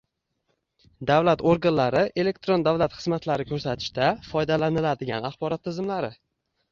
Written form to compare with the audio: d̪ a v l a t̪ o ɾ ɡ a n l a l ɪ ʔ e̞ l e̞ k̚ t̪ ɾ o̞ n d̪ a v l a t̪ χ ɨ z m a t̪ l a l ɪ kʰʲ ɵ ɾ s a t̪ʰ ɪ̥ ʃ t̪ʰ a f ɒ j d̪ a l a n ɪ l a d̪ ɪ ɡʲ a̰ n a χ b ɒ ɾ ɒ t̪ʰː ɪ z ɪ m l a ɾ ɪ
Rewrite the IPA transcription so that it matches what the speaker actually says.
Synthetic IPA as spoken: d̪ a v l a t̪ o ɾ ɡ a n l a ɾ ɪ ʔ e̞ l e̞ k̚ t̪ ɾ o̞ n d̪ a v l a t̪ χ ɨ z m a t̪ l a ɾ ɪ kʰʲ ɵ ɾ s a t̪ʰ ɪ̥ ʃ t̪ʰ a f ɒ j d̪ a l a n ɪ l a d̪ ɪ ɡʲ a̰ n a χ b ɒ ɾ ɒ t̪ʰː ɪ z ɪ m l a ɾ ɪ